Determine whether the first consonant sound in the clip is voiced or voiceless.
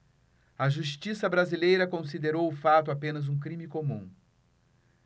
voiced